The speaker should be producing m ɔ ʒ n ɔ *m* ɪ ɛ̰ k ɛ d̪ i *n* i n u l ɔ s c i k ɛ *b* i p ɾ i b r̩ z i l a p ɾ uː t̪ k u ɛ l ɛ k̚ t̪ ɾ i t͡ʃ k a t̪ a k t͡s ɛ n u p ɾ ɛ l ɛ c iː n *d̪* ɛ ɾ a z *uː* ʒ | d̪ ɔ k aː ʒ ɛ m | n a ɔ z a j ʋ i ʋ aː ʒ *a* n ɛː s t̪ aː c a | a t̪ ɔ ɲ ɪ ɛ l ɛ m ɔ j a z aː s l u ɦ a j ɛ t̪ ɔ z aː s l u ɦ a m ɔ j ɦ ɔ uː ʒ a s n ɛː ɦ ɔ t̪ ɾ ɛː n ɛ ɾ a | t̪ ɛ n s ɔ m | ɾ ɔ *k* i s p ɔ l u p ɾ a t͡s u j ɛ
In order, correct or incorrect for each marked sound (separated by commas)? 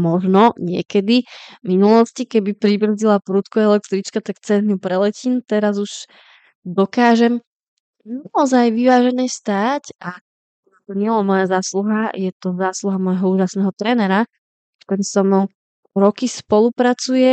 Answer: incorrect, incorrect, correct, incorrect, incorrect, incorrect, correct